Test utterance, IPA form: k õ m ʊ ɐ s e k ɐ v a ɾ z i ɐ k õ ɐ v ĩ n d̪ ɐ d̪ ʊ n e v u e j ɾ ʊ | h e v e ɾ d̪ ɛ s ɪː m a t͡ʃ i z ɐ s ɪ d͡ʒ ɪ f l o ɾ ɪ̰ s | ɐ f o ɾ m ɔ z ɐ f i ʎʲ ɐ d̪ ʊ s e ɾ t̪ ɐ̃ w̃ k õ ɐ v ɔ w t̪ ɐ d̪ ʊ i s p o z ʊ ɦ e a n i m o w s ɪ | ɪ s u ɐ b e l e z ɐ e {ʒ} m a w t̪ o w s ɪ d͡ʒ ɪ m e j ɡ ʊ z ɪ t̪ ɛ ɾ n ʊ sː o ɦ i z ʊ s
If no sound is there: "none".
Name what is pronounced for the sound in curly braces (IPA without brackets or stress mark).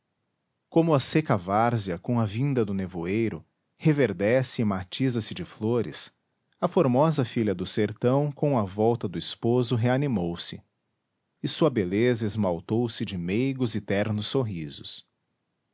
z